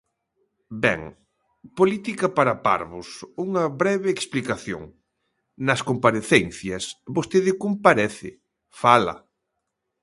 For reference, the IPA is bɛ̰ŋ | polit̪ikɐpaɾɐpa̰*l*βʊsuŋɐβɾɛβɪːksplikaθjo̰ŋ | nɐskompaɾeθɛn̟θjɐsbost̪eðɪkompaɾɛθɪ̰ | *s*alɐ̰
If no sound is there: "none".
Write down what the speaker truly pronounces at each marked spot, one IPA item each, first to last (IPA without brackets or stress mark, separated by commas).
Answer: ɾ, f